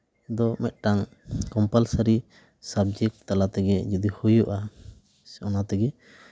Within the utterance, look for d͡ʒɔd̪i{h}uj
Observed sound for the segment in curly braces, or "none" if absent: h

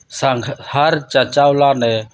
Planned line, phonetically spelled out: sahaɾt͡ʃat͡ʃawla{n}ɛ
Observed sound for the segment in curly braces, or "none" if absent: n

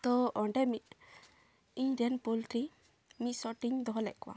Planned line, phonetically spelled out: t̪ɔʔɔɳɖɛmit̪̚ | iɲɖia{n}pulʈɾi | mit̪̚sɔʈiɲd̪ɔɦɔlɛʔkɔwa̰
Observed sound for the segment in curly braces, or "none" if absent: n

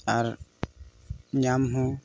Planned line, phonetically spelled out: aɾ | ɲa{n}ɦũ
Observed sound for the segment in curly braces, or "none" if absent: m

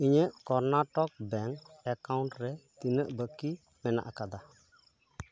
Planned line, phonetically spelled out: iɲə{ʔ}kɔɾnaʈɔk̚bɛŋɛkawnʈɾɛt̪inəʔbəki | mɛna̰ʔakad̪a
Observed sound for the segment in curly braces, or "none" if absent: ʔ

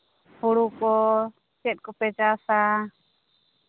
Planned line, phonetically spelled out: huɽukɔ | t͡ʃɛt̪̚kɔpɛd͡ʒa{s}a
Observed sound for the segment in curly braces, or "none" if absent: s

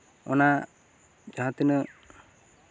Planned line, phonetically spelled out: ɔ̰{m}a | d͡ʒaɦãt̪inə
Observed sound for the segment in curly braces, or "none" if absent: n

